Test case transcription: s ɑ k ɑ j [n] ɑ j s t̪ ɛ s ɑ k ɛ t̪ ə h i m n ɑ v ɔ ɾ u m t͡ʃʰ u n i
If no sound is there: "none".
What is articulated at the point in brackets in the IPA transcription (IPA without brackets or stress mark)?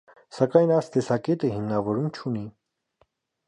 n